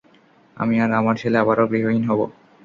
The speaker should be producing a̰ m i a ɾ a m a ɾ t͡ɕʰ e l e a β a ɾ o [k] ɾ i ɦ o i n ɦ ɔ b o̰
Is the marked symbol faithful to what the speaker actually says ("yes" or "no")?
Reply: no